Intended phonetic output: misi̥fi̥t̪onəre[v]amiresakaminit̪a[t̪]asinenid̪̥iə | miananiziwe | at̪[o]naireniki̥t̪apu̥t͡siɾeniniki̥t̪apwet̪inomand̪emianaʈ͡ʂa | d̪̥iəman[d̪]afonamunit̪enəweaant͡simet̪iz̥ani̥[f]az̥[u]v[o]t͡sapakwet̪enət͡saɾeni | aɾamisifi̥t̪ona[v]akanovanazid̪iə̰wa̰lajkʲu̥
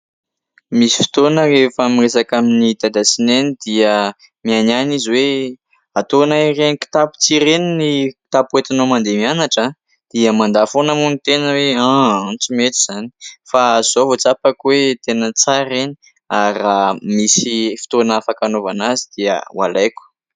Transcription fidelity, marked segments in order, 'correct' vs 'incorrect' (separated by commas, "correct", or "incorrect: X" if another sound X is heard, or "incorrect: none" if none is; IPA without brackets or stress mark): incorrect: f, incorrect: d̪, correct, correct, correct, incorrect: o, correct, incorrect: f